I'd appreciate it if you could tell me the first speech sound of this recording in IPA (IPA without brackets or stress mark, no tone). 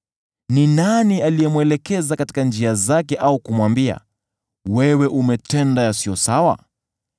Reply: n